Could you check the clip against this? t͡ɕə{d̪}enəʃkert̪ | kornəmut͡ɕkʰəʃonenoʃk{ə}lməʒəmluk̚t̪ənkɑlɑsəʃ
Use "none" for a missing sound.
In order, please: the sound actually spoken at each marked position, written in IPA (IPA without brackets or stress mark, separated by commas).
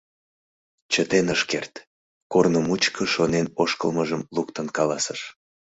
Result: t̪, ə